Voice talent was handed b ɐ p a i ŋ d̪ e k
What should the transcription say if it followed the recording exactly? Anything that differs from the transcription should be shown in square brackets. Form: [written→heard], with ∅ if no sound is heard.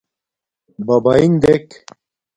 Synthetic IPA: b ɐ [p→b] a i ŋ d̪ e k